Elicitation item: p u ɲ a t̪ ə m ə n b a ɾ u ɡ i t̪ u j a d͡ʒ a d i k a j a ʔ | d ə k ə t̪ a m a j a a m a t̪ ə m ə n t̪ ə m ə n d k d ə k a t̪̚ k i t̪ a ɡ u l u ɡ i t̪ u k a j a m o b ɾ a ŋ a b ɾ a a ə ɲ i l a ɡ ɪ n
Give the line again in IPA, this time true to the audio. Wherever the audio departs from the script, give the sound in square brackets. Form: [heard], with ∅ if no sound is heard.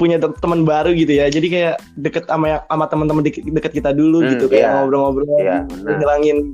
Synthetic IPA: p u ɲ a t̪ ə m ə n b a ɾ u ɡ i t̪ u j a d͡ʒ a d i k a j a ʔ | d ə k ə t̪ a m a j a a m a t̪ ə m ə n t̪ ə m ə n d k d ə k [ə] t̪̚ k i t̪ a [d] u l u ɡ i t̪ u k a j a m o b ɾ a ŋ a b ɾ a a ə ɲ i l a [ŋ] ɪ n